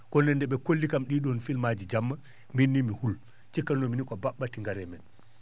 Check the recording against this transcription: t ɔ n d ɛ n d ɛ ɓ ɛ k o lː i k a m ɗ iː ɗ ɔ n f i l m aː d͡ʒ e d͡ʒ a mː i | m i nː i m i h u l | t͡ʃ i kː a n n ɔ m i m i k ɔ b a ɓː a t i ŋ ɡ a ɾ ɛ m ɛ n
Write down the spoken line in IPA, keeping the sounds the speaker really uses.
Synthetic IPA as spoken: k ɔ n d ɛ n d ɛ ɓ ɛ k o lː i k a m ɗ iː ɗ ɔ n f i l m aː d͡ʒ i d͡ʒ a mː a | m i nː i m i h u l | t͡ʃ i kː a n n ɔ m i n i k ɔ b a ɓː a t i ŋ ɡ a ɾ ɛ m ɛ n